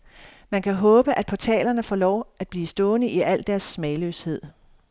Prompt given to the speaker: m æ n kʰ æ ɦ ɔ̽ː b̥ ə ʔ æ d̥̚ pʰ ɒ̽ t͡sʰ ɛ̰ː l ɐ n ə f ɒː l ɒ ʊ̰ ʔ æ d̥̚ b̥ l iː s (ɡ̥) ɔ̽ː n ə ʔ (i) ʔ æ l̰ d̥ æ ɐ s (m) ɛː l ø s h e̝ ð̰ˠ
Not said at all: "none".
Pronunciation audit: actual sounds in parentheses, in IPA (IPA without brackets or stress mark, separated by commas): d̥, i, m